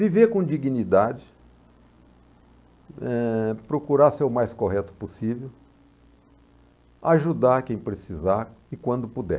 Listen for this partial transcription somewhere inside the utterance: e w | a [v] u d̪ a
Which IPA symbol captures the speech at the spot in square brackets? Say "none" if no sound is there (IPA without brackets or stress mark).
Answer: ʒ